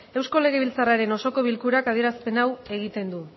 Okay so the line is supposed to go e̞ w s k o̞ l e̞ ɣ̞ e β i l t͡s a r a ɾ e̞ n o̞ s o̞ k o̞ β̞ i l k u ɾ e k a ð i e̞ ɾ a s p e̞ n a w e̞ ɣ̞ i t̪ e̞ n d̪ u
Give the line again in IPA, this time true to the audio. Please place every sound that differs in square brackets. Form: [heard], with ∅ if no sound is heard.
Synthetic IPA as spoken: e̞ w s k o̞ l e̞ ɣ̞ e β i l t͡s a r a ɾ e̞ n o̞ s o̞ k o̞ β̞ i l k u ɾ [a] k a ð i e̞ ɾ a s p e̞ n a w e̞ ɣ̞ i t̪ e̞ n d̪ u